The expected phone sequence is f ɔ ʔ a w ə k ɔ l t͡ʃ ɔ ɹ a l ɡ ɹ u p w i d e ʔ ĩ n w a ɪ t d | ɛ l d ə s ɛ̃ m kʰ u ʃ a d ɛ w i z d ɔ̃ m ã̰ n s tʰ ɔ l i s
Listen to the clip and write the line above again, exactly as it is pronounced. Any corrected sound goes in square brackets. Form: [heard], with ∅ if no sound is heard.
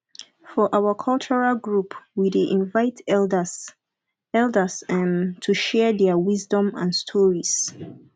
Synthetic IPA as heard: f ɔ ʔ a w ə [kʰ] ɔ l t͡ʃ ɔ ɹ a l ɡ ɹ u p w i d e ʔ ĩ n [v] a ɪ t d | ɛ l d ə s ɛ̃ m [tʰ] u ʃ [ɛ] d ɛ w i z d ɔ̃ m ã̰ n s tʰ ɔ [ɹ] i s